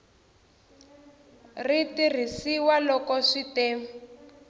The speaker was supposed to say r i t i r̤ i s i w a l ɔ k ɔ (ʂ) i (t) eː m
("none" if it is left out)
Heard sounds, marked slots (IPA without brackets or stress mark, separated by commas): ʂ, t